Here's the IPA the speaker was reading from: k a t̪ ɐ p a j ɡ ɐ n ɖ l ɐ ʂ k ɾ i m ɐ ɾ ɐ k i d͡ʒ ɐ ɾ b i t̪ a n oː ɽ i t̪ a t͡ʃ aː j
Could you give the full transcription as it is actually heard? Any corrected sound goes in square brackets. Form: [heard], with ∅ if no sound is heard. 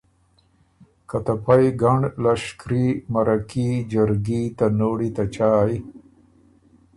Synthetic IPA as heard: k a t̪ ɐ p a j ɡ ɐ [ɳ] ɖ l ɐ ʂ k ɾ i m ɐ ɾ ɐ k i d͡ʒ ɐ ɾ [ɡ] i t̪ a n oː ɽ i t̪ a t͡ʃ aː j

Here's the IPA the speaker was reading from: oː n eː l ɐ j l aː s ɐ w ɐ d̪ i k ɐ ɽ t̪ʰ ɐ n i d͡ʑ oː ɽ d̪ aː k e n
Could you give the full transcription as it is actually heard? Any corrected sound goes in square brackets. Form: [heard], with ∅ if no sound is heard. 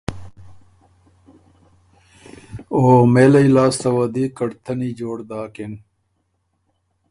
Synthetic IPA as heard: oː [m] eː l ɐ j l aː s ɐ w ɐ d̪ i k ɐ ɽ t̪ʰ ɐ n i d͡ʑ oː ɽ d̪ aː k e n

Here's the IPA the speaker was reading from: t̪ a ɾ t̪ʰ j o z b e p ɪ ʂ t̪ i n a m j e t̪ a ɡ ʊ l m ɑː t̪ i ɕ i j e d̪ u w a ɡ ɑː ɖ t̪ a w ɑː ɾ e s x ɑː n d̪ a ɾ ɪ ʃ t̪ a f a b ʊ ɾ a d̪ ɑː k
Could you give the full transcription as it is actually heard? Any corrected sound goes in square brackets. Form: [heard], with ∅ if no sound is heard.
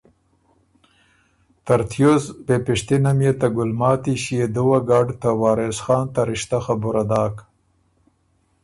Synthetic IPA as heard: t̪ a ɾ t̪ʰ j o z b e p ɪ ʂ t̪ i n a m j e t̪ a ɡ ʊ l m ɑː t̪ i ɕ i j e d̪ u w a ɡ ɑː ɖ t̪ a w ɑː ɾ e s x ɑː n [t̪] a ɾ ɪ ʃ t̪ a [x] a b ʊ ɾ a d̪ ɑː k

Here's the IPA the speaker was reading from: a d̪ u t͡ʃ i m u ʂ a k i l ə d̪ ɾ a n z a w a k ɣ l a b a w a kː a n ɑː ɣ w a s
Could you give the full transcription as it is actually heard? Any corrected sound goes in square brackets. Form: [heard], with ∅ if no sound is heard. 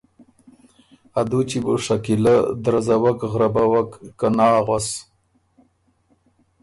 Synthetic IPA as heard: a d̪ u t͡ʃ i [b] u ʂ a k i l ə d̪ ɾ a [∅] z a w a k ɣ [ɾ] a b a w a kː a n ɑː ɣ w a s

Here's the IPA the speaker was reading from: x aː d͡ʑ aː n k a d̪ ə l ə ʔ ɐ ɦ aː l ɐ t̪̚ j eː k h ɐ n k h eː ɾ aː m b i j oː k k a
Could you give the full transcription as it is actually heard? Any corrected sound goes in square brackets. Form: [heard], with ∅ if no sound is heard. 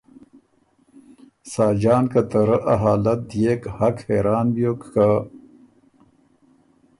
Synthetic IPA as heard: [s] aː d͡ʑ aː n k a [t̪] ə [ɾ] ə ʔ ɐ ɦ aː l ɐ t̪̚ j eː k h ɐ [∅] k h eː ɾ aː [n] b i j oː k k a

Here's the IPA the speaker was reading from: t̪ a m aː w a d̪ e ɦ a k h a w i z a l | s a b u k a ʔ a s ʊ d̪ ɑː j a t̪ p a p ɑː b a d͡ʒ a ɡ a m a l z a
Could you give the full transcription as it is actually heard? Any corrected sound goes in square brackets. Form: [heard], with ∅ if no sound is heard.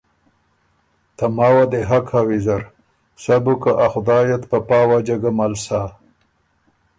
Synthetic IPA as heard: t̪ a m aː w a d̪ e ɦ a k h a w i z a [ɾ] | s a b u k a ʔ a [x] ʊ d̪ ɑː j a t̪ p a p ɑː [w] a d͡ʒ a ɡ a m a l [s] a

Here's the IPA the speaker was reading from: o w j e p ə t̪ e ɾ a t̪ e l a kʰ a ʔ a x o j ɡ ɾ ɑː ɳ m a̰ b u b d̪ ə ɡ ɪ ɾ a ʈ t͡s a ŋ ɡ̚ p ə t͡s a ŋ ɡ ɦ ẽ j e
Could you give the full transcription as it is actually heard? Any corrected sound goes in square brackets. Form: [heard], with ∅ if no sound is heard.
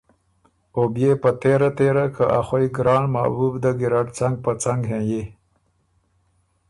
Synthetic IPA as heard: o [b] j e p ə t̪ e ɾ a t̪ e [ɾ] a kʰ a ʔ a x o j ɡ ɾ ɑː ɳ m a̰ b u b d̪ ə ɡ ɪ ɾ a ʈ t͡s a ŋ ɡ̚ p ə t͡s a ŋ ɡ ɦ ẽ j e

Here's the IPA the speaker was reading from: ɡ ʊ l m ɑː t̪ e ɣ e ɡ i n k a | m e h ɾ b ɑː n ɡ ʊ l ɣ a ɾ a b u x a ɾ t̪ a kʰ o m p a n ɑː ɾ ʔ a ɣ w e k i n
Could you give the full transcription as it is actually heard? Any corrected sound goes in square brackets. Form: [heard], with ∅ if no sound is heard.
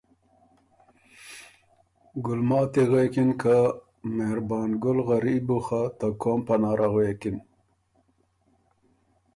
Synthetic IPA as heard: ɡ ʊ l m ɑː t̪ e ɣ e [k] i n k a | m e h ɾ b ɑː n ɡ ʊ l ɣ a ɾ [i] b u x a [∅] t̪ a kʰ o m p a n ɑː ɾ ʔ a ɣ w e k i n

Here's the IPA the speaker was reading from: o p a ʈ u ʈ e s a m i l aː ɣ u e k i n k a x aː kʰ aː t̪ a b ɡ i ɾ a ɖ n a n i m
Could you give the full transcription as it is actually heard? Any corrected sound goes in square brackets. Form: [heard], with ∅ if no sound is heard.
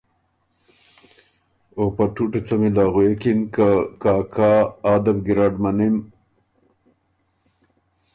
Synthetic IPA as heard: o p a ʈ u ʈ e [t͡s] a m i l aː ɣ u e k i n k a [k] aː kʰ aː [d̪] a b ɡ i ɾ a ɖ [m] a n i m

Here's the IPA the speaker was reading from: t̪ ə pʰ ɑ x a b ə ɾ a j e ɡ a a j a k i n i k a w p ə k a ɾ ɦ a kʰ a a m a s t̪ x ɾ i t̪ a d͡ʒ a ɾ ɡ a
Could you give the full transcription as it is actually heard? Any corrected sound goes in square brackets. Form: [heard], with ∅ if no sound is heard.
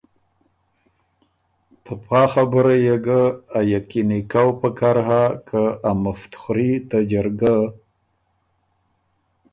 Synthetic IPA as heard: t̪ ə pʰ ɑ x a b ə ɾ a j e ɡ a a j a k i n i k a w p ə k a ɾ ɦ a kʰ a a m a [f] t̪ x ɾ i t̪ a d͡ʒ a ɾ ɡ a

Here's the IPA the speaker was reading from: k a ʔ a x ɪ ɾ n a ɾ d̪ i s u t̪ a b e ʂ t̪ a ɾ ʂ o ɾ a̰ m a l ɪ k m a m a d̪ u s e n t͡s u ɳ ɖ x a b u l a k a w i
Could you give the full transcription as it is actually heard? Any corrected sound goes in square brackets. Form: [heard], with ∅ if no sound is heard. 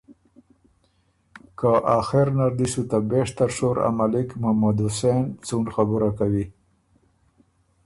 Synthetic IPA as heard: k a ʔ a x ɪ ɾ n a ɾ d̪ i s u t̪ a b e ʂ t̪ a ɾ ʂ o ɾ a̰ m a l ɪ k m a m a d̪ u s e n t͡s u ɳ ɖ x a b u [ɾ] a k a w i

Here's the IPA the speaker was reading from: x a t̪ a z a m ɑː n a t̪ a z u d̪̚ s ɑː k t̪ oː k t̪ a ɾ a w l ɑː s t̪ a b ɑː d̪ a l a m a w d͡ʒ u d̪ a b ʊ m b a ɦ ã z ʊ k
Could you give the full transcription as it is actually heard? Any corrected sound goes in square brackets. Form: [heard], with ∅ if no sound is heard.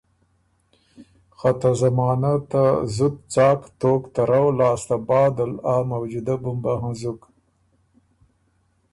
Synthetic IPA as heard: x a t̪ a z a m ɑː n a t̪ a z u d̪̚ [t͡s] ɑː k t̪ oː k t̪ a ɾ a w l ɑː s t̪ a b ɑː d̪ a l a m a w d͡ʒ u d̪ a b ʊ m b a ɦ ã z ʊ k

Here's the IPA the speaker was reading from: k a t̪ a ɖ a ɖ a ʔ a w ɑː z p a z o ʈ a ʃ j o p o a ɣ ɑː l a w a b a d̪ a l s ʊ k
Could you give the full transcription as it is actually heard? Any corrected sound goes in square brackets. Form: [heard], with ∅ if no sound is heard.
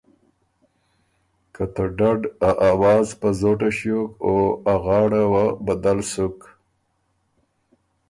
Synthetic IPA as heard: k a t̪ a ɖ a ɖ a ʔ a w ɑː z p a z o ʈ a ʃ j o [k] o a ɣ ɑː [ɽ] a w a b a d̪ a l s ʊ k

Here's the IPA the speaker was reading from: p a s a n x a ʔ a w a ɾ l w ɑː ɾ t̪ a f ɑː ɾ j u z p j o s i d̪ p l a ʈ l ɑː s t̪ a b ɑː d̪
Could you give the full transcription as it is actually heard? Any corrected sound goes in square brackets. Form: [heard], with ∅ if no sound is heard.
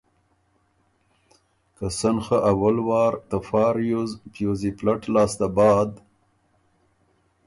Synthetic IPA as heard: [k] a s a n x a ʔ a w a [∅] l w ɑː ɾ t̪ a f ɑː ɾ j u z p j o [z] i [∅] p l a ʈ l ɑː s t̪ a b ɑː d̪

